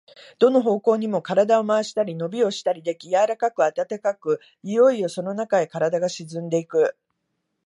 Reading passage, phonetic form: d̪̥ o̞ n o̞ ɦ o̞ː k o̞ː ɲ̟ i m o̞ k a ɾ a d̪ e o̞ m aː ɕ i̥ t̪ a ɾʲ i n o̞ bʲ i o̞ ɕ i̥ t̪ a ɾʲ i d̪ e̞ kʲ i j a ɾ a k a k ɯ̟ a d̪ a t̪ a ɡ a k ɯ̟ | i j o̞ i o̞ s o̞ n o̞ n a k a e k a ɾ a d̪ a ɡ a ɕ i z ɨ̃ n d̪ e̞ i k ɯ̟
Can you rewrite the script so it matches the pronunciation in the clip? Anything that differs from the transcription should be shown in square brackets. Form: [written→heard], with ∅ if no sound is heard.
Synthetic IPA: d̪̥ o̞ n o̞ ɦ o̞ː k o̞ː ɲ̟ i m o̞ k a ɾ a d̪ [e→a] o̞ m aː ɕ i̥ t̪ a ɾʲ i n o̞ bʲ i o̞ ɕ i̥ t̪ a ɾʲ i d̪ e̞ kʲ i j a ɾ a k a k ɯ̟ a [d̪→t̪] a t̪ a [ɡ→k] a k ɯ̟ | i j o̞ i o̞ s o̞ n o̞ n a k a e k a ɾ a d̪ a ɡ a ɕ i z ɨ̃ n d̪ e̞ i k ɯ̟